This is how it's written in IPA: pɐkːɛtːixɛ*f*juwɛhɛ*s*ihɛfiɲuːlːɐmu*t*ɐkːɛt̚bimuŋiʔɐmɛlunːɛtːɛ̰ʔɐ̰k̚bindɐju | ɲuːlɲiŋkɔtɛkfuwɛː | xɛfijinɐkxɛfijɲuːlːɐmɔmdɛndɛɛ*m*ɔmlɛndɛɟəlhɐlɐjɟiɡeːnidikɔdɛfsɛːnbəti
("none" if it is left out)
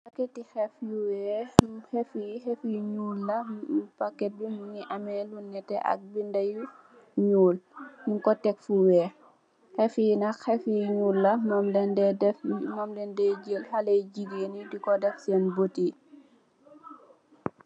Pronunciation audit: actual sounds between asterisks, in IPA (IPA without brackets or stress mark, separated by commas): f, f, p, m